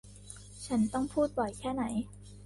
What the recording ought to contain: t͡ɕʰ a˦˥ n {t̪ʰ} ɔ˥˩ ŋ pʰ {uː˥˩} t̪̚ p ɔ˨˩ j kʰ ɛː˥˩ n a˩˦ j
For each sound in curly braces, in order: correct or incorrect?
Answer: incorrect: t̪, correct

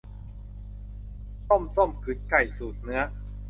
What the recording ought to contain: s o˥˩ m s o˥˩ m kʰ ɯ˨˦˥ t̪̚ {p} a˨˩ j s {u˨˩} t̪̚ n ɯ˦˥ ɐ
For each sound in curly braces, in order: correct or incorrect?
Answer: incorrect: k, incorrect: uː˨˩

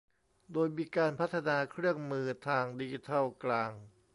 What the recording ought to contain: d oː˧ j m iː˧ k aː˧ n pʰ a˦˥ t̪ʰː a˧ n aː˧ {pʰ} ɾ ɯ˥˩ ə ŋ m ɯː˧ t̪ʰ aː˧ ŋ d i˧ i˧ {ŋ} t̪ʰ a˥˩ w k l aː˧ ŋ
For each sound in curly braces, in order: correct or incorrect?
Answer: incorrect: kʰ, incorrect: none

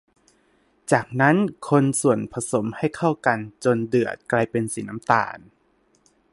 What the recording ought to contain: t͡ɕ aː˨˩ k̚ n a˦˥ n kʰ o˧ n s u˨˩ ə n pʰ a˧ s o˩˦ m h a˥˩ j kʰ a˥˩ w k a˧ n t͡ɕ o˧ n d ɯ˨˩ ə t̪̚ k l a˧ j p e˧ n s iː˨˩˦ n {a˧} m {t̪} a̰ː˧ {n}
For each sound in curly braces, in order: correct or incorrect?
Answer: incorrect: a˦˥, correct, correct

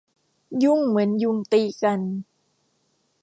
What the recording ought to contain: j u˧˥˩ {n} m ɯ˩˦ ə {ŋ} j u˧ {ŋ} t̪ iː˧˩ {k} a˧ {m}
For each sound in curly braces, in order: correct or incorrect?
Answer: incorrect: ŋ, incorrect: n, correct, correct, incorrect: n

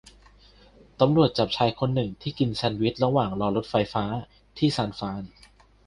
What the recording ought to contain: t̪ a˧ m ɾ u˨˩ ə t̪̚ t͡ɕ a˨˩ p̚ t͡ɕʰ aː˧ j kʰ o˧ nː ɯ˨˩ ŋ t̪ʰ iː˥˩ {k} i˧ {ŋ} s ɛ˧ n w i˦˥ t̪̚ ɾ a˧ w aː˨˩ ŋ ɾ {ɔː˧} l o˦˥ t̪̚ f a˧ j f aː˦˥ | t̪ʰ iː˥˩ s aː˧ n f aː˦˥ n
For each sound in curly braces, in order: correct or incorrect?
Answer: correct, incorrect: n, correct

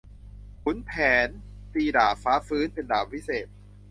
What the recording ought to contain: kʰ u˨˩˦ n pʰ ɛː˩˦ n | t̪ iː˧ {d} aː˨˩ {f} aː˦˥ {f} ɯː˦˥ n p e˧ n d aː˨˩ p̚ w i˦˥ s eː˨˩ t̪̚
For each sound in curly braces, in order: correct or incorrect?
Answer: correct, correct, correct

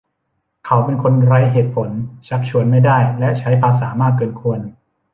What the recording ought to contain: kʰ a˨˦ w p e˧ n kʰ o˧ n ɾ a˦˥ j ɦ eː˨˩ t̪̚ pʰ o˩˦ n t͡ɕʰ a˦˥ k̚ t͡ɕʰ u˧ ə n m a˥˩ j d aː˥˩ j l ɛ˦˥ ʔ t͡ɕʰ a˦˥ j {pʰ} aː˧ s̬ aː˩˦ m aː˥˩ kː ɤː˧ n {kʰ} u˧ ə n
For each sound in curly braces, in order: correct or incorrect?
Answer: correct, correct

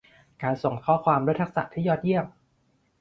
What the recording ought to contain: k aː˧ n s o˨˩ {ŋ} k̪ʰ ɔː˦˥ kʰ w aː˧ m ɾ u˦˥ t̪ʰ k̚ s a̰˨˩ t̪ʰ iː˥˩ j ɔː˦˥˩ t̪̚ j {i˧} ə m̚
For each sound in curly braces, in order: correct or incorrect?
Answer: correct, incorrect: i˥˩

